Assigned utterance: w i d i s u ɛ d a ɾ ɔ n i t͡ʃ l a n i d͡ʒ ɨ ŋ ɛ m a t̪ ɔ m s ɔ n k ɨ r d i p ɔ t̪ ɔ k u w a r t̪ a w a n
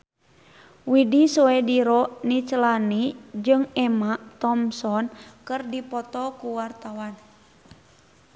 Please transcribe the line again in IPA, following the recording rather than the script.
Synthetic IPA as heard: w i d i s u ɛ d i ɾ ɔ n i t͡ʃ l a n i d͡ʒ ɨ ŋ ɛ m a t̪ ɔ m s ɔ n k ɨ r d i p ɔ t̪ ɔ k u w a r t̪ a w a n